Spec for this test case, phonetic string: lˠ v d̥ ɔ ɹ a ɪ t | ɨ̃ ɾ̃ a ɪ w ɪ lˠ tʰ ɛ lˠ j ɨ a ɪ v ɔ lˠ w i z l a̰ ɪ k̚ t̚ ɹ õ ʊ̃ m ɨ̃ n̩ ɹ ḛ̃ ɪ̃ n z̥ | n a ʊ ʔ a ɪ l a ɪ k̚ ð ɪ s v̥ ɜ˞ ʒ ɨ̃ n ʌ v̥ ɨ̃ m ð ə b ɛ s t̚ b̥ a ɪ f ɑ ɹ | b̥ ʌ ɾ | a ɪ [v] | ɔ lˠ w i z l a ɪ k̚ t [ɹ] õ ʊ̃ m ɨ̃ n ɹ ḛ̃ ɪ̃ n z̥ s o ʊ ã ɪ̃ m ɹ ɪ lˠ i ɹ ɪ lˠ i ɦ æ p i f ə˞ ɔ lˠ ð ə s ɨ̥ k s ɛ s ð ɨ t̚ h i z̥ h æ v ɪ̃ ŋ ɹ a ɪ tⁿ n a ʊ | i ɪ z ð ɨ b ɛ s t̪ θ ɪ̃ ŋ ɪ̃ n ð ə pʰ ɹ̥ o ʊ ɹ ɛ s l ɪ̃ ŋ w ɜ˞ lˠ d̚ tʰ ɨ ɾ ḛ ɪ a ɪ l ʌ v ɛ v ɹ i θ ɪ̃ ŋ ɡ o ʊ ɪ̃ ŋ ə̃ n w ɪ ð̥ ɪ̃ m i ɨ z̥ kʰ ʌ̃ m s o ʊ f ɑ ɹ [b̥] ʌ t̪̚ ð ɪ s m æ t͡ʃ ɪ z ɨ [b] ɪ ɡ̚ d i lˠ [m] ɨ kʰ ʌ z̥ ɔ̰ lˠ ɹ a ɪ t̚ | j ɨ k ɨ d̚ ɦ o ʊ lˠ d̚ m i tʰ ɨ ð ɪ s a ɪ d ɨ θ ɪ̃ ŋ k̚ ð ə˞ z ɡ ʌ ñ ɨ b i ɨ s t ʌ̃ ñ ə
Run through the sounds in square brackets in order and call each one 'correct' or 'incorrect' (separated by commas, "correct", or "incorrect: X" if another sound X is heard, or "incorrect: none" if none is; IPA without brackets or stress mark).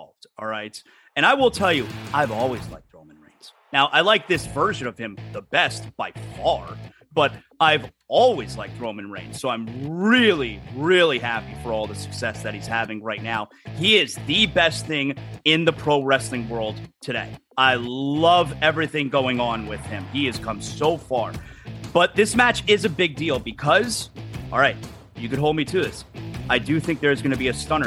correct, correct, correct, correct, incorrect: b